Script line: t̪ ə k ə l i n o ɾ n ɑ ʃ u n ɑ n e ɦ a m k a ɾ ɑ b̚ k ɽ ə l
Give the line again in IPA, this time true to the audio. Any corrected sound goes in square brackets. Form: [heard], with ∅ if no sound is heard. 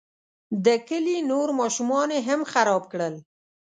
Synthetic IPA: [d̪] ə k ə l i n o ɾ [m] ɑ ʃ u [m] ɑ n e ɦ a m [x] a ɾ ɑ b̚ k ɽ ə l

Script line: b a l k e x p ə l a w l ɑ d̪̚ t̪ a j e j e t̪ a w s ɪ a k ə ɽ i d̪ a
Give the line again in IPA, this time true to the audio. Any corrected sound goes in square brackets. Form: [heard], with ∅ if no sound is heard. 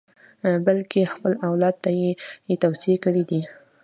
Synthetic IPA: b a l k e x p ə l a w l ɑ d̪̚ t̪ a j e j e t̪ a w s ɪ [e] k ə ɽ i d̪ [i]

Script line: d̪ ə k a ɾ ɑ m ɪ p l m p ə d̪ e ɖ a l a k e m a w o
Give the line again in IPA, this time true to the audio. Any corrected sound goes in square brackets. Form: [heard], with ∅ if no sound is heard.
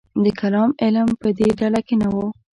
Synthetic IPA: d̪ ə k a [l] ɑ m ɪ [∅] l m p ə d̪ e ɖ a l a k e [n] a w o

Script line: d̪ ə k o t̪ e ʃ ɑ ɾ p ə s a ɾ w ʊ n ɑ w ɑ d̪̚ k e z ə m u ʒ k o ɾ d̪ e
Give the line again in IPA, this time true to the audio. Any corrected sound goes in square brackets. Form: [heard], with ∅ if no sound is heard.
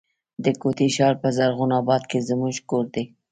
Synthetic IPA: d̪ ə k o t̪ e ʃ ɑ ɾ p ə [z] a ɾ [ɣ] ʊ n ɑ [b] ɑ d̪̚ k e z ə m u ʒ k o ɾ d̪ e

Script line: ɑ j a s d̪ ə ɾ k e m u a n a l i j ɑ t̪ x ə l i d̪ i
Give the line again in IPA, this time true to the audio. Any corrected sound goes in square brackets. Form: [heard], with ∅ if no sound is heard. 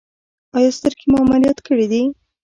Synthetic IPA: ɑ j [ɑ] s [t̪] ə ɾ k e m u a [m] a l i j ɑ t̪ [k] ə [ɽ] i d̪ i

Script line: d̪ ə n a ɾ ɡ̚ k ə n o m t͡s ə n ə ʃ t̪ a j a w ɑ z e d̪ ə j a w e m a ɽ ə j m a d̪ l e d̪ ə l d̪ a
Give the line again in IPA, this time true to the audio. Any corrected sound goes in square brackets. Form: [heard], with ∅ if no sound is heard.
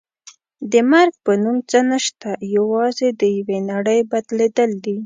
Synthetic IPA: d̪ ə [m] a ɾ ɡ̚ [p] ə n [u] m t͡s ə n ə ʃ t̪ a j a w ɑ z e d̪ ə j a w e [n] a ɽ ə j [b] a d̪ l e d̪ ə l d̪ [i]

